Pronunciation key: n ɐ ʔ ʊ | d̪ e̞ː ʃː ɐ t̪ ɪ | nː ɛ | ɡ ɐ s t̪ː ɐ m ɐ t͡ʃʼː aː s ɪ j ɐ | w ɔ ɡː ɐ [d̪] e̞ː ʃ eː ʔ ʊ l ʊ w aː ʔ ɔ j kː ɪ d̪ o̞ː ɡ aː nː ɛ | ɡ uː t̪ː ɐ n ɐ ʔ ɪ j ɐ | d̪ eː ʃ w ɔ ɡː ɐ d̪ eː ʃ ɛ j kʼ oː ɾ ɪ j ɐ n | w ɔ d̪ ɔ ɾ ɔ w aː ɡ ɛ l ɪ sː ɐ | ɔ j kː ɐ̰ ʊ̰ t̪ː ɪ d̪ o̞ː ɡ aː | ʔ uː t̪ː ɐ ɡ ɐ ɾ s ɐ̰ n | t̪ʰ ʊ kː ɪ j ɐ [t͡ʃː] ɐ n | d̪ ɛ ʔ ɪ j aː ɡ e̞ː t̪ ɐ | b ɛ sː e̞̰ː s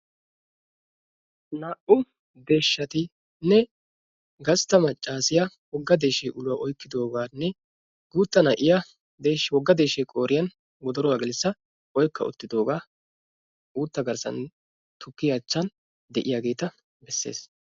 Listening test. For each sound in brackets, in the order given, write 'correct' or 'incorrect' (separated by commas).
correct, correct